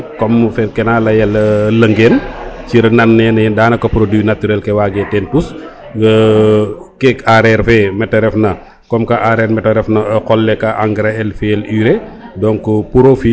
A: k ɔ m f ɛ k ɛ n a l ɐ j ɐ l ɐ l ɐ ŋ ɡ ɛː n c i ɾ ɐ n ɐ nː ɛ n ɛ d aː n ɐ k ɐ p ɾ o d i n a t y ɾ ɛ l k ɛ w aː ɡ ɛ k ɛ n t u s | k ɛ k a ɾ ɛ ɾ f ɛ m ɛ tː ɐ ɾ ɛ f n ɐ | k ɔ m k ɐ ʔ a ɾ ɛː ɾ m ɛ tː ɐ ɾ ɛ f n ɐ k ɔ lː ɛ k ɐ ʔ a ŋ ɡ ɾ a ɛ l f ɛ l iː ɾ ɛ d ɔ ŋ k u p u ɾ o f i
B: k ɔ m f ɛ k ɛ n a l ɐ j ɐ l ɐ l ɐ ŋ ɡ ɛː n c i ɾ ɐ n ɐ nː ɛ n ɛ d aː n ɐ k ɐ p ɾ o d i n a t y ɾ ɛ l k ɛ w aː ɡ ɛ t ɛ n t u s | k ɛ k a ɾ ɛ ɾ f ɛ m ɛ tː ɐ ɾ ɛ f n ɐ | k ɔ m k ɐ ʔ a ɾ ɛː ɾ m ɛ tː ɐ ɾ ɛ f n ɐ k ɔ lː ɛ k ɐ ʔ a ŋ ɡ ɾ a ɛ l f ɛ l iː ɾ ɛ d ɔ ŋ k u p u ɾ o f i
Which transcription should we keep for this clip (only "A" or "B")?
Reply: B